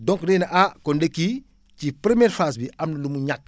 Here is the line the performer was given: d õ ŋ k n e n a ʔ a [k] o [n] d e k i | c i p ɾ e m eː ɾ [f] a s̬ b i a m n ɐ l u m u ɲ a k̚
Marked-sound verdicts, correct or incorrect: correct, correct, correct

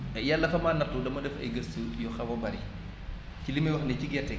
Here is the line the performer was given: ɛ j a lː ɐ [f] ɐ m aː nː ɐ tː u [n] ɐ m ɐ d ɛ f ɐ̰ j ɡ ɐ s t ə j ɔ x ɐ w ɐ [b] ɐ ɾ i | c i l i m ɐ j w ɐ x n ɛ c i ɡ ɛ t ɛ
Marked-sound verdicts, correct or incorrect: correct, incorrect: d, correct

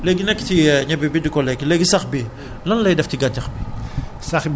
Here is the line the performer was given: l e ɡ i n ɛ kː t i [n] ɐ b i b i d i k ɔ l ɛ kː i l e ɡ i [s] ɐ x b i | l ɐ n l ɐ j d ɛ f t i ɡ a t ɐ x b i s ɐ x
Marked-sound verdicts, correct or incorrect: incorrect: ɲ, correct

